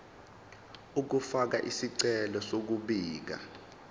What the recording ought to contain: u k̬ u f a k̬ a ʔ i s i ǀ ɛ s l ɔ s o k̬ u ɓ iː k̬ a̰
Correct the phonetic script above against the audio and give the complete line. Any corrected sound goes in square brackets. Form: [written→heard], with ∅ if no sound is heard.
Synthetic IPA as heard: u k̬ u f a k̬ a ʔ i s i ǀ ɛ [s→∅] l ɔ s o k̬ u ɓ iː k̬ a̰